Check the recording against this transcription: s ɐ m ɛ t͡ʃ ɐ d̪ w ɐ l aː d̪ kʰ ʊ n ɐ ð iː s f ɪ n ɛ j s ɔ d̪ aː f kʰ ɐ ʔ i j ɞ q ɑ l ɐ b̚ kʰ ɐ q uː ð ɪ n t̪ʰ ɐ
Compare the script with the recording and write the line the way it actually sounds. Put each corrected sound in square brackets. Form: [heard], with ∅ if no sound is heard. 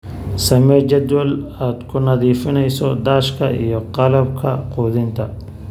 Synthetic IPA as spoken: s ɐ m ɛ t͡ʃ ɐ d̪ w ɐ l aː d̪ kʰ ʊ n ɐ ð iː [∅] f ɪ n ɛ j s ɔ d̪ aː [ʃ] kʰ ɐ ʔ i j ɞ q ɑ l ɐ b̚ kʰ ɐ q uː ð ɪ n t̪ʰ ɐ